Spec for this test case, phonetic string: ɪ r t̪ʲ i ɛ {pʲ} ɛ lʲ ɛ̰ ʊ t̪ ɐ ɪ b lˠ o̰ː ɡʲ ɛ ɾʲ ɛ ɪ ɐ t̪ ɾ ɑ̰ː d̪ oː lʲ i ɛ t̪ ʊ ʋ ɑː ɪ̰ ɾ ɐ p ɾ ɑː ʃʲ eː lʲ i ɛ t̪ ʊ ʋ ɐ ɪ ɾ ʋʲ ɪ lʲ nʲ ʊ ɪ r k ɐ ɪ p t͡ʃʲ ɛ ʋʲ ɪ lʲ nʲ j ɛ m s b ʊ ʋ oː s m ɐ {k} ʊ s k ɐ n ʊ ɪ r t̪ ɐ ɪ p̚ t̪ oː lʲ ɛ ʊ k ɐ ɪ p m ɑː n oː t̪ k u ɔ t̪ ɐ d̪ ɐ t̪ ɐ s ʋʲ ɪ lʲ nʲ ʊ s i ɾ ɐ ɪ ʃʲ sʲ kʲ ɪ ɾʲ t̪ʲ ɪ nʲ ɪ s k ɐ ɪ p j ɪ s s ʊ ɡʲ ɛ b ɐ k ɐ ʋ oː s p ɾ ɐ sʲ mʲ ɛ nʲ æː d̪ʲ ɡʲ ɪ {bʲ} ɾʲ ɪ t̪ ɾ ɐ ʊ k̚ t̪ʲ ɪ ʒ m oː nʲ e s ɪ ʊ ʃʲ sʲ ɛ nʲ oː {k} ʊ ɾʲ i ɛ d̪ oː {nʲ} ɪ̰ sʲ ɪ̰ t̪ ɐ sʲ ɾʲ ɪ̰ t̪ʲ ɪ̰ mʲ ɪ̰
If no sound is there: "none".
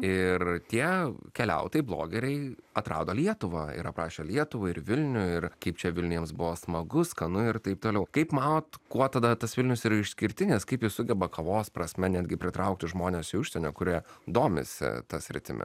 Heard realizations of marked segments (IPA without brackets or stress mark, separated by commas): kʲ, ɡ, pʲ, k, mʲ